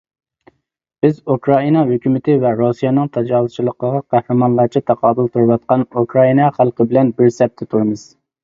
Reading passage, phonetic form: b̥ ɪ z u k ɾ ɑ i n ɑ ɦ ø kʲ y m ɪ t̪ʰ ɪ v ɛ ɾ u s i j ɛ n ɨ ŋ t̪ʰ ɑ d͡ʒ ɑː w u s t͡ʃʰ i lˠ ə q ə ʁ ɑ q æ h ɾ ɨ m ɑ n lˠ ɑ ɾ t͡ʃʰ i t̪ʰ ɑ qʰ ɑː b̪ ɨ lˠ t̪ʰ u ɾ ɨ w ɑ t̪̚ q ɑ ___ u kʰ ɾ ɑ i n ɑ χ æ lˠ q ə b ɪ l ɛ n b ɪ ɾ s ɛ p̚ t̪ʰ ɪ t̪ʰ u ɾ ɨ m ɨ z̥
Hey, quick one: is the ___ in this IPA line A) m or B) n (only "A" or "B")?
B